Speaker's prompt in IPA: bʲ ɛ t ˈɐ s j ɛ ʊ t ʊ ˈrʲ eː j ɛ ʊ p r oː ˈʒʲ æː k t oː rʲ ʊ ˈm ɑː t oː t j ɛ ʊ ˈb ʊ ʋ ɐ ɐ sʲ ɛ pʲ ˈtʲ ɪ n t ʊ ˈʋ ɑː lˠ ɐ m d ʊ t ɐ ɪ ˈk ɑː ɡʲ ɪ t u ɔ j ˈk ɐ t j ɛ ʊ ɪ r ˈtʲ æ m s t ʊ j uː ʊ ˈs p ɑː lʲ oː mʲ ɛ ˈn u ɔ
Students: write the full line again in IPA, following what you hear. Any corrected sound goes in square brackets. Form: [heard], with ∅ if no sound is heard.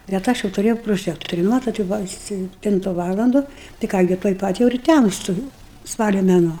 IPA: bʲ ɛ t ˈɐ [ʃ] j ɛ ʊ t ʊ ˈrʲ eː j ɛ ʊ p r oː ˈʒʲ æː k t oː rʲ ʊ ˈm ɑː t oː t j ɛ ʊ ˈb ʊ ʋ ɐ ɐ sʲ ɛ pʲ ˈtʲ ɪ n t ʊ ˈʋ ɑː lˠ ɐ [n] d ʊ t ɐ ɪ ˈk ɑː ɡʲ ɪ t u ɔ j [ˈp] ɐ t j ɛ ʊ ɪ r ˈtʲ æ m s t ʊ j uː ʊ ˈs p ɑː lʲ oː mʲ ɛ ˈn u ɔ